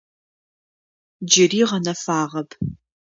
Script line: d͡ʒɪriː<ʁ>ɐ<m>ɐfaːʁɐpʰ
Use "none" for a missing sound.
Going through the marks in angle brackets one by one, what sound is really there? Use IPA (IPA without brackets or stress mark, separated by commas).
ʁ, n